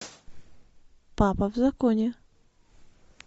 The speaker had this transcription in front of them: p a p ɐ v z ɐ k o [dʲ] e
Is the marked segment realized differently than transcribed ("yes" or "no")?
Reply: yes